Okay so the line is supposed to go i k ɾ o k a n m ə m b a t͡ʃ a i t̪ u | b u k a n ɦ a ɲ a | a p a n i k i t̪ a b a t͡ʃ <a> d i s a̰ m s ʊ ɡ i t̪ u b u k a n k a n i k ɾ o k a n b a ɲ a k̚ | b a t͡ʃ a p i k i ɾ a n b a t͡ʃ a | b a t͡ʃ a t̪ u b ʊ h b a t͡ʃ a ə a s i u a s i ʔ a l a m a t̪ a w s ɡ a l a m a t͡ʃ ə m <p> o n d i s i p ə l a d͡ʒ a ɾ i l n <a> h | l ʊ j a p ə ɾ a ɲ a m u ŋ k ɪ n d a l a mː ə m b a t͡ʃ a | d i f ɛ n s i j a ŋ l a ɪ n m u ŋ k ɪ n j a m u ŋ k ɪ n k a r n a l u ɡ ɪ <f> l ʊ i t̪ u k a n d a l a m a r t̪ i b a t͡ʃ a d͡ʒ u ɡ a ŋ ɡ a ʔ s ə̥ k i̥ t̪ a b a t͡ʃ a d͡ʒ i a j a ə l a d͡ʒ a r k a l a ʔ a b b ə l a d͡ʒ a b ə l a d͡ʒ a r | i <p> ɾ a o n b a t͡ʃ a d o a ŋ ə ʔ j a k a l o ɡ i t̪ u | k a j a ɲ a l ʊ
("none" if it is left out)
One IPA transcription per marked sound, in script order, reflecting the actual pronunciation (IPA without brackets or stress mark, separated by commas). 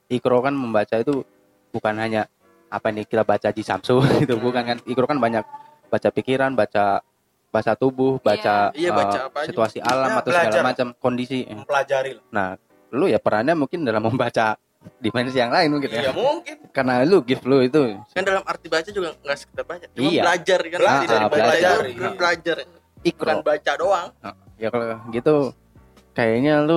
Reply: a, k, a, f, k